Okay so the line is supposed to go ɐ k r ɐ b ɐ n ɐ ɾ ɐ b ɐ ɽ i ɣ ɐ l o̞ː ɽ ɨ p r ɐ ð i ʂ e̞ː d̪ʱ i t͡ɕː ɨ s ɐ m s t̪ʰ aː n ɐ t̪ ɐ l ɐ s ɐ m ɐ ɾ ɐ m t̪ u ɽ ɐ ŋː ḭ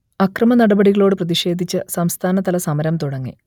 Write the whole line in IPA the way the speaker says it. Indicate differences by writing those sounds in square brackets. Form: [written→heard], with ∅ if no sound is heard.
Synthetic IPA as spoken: ɐ k r ɐ [b→m] ɐ n ɐ [ɾ→ɽ] ɐ b ɐ ɽ i ɣ ɐ [l→ɭ] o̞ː ɽ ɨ p r ɐ ð i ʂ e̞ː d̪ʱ i t͡ɕː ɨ s ɐ m s t̪ʰ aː n ɐ t̪ ɐ l ɐ s ɐ m ɐ ɾ ɐ m t̪ u ɽ ɐ ŋː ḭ